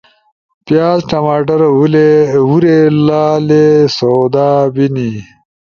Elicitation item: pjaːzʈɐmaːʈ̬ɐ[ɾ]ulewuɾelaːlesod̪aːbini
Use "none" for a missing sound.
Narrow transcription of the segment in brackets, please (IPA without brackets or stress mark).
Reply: ɾ